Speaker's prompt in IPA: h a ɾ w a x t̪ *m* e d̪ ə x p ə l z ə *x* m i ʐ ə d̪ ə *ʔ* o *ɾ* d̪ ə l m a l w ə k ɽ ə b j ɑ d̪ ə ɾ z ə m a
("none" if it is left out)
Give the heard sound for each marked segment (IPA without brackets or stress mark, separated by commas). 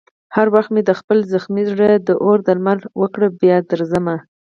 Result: m, x, ʔ, ɾ